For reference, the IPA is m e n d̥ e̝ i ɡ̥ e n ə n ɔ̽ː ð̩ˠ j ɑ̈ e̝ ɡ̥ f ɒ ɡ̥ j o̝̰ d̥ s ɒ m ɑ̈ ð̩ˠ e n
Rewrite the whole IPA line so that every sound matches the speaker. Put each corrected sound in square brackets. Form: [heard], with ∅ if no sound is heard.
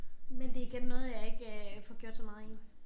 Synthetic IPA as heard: m e n d̥ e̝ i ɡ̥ e n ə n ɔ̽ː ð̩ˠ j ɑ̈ e̝ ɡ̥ f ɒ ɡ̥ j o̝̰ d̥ s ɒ m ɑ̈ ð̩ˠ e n